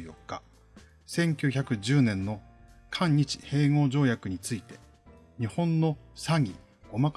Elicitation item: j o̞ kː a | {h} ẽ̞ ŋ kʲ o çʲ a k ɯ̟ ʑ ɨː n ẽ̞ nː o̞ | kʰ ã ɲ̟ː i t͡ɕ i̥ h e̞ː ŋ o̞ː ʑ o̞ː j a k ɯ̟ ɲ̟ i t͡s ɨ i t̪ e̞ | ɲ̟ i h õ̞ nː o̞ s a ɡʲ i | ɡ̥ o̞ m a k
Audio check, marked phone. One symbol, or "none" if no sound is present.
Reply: s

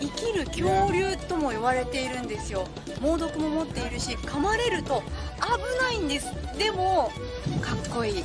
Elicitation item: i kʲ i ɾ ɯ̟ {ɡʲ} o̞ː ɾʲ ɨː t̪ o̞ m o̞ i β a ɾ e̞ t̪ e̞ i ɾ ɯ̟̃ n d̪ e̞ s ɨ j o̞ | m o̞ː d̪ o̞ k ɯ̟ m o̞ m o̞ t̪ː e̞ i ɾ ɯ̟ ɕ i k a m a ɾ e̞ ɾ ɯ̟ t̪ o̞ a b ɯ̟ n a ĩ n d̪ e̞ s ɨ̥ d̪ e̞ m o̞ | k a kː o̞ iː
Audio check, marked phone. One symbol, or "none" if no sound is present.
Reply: kʲ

